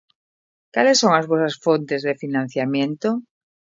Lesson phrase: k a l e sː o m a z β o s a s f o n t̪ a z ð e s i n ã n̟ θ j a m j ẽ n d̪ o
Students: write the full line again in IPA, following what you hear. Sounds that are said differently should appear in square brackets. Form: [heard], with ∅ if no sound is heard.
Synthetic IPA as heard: k a l e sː o [ŋ] a z β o s a s f o n t̪ [e] z ð e [f] i n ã n̟ θ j a m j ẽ n [t̪] o